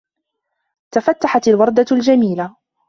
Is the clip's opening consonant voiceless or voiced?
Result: voiceless